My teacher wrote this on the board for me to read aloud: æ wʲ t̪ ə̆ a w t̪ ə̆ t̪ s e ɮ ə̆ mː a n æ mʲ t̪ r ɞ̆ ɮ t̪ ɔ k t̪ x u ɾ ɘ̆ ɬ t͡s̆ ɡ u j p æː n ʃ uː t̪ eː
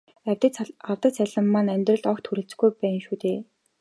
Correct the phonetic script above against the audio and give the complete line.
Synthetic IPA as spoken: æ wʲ t̪ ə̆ a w t̪ ə̆ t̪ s æ ɮ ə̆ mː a n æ mʲ t̪ r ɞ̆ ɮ t̪ ɔ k t̪ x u ɾ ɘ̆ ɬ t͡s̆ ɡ u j p æː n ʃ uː t̪ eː

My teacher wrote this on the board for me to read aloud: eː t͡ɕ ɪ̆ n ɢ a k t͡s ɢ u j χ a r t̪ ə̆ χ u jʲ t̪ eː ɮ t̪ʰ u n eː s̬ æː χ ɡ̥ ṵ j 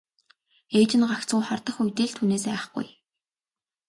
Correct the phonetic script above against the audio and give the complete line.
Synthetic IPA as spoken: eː t͡ɕ ɪ̆ n ɢ a k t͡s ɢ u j χ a r t̪ ə̆ χ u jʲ t̪ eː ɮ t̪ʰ u n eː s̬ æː χ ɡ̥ ṵ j

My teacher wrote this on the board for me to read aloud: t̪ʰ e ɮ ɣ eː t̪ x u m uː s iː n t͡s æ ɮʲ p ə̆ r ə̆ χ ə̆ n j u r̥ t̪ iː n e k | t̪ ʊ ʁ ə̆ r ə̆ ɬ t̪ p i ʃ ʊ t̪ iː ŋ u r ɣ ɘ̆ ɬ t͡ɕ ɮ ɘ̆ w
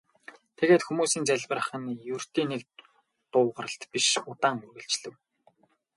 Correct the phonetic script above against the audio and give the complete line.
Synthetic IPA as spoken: t̪ʰ e ɣ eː t̪ x u m uː s iː n t͡s æ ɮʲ p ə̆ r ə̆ χ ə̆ n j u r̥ t̪ iː n e k | t̪ ʊː ʁ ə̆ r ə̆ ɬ t̪ p i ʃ ʊ t̪ aː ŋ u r ɣ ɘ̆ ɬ t͡ɕ ɮ ɘ̆ w

